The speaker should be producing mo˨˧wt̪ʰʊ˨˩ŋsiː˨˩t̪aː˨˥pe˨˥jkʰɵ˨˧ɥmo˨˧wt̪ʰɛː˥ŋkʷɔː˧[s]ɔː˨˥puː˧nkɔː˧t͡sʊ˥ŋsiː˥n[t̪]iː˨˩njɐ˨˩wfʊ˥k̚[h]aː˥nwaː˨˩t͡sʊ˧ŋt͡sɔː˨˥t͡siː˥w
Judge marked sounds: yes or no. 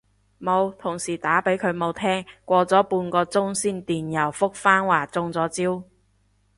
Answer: no, yes, no

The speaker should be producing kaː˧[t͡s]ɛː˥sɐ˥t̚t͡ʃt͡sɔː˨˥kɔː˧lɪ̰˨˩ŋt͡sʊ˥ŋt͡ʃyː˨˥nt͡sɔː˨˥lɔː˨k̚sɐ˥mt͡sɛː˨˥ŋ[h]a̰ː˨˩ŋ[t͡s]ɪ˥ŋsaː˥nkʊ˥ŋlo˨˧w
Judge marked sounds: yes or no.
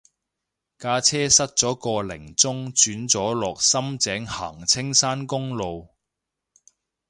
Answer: no, yes, no

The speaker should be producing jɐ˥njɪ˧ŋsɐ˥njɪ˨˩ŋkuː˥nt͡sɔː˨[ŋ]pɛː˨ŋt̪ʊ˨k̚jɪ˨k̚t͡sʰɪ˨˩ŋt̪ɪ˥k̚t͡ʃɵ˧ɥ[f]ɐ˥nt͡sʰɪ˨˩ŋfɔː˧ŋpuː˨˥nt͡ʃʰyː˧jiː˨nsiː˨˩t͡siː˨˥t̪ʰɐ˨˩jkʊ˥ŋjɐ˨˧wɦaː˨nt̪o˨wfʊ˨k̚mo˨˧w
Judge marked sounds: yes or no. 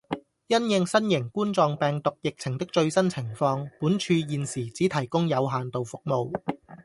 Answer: yes, no

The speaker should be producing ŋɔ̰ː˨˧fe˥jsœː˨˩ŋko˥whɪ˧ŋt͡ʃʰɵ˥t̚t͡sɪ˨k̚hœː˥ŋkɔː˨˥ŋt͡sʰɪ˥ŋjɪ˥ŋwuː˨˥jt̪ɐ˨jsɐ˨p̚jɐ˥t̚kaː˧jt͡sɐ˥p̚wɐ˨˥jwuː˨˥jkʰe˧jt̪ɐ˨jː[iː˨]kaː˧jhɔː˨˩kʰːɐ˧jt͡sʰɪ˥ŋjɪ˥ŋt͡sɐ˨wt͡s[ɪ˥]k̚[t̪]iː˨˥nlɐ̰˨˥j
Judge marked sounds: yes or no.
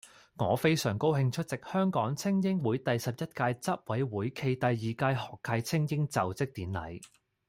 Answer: yes, yes, yes

